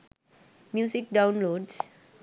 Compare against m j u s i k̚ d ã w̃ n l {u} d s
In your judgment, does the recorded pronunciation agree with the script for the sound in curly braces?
no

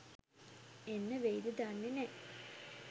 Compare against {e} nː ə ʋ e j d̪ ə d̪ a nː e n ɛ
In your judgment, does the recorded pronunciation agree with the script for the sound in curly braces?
yes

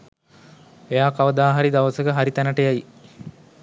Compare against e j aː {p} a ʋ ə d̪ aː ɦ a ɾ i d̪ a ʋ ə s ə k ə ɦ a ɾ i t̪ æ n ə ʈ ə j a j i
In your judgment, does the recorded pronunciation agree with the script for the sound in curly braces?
no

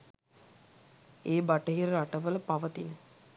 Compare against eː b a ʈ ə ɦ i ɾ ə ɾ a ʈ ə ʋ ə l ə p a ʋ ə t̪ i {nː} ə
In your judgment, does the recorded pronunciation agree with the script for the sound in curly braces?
no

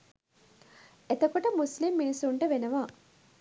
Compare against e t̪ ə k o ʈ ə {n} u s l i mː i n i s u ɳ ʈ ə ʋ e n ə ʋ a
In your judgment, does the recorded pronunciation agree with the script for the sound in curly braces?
no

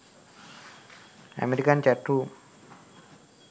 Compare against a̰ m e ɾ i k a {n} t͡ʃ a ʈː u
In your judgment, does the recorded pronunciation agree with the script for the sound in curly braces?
yes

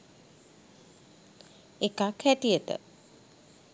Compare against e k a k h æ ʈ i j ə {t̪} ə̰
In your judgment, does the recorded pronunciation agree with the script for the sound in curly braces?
yes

